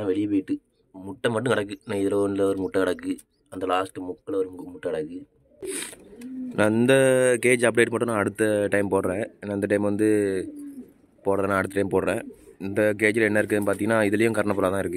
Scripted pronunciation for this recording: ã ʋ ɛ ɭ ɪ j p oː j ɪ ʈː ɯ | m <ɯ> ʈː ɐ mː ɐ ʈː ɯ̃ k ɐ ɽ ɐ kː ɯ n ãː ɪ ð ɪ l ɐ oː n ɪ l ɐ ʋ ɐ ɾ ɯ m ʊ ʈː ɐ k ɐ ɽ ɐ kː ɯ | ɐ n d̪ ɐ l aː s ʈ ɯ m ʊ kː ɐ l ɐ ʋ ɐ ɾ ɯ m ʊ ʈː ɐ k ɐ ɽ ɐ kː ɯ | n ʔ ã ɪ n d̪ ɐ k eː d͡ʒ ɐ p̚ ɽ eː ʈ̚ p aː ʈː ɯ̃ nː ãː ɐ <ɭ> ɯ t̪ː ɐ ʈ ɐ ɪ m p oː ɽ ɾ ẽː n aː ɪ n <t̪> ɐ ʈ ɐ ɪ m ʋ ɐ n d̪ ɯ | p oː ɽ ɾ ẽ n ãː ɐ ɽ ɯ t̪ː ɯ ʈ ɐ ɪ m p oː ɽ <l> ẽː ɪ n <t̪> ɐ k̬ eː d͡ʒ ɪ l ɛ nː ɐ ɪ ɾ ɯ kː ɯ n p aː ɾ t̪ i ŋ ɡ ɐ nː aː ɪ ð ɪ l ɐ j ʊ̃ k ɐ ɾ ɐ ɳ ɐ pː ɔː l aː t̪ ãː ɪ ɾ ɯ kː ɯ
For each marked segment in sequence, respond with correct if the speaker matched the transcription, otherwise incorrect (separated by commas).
incorrect, incorrect, incorrect, incorrect, incorrect